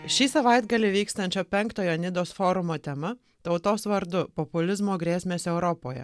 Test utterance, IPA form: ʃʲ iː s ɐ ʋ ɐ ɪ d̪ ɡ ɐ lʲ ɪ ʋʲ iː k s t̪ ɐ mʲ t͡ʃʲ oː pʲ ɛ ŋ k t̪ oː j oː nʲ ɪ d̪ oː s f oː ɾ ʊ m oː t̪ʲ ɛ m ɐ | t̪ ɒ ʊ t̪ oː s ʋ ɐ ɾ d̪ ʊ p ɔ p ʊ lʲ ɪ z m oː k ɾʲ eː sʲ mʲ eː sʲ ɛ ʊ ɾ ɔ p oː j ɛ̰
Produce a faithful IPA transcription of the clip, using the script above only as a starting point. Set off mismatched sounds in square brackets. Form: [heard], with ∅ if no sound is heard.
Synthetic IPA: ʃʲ iː s ɐ ʋ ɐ ɪ d̪ ɡ ɐ lʲ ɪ ʋʲ iː k s t̪ ɐ [nʲ] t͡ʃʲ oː pʲ ɛ ŋ k t̪ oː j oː nʲ ɪ d̪ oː s f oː ɾ ʊ m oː t̪ʲ ɛ m ɐ | t̪ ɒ ʊ t̪ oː s ʋ ɐ ɾ d̪ ʊ p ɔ p ʊ lʲ ɪ z m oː [ɡ] ɾʲ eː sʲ mʲ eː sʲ ɛ ʊ ɾ ɔ p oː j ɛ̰